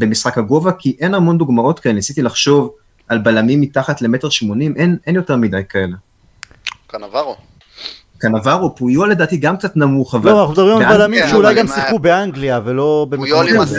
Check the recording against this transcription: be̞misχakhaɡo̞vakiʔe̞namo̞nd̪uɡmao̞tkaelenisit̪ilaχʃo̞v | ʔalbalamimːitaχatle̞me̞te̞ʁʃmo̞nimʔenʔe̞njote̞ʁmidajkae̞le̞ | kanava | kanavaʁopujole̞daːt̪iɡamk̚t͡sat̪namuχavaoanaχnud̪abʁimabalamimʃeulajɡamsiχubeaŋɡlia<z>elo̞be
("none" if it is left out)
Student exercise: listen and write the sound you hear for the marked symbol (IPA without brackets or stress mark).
v